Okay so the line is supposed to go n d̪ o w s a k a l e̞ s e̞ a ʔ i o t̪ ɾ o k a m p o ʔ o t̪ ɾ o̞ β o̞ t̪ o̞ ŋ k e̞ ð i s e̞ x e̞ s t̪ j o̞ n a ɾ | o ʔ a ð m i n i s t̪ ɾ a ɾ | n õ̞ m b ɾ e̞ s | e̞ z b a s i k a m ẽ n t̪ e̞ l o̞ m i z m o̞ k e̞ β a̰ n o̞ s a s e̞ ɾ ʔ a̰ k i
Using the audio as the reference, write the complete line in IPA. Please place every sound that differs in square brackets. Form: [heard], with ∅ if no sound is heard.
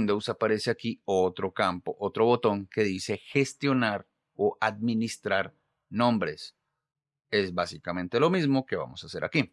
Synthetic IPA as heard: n d̪ o w s a [p] a [ɾ] e̞ s e̞ a [k] i o t̪ ɾ o k a m p o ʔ o t̪ ɾ o̞ β o̞ t̪ o̞ ŋ k e̞ ð i s e̞ x e̞ s t̪ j o̞ n a ɾ | o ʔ a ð m i n i s t̪ ɾ a ɾ | n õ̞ m b ɾ e̞ s | e̞ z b a s i k a m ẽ n t̪ e̞ l o̞ m i z m o̞ k e̞ β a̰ [m] o̞ s a s e̞ ɾ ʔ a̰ k i